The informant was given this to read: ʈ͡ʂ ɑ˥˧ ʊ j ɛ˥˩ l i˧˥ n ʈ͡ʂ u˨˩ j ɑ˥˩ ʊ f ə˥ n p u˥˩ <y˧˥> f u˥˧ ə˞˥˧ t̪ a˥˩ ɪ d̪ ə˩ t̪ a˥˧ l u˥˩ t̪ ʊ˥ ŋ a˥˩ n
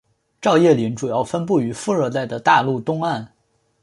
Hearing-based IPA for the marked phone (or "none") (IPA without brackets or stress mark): y˧˥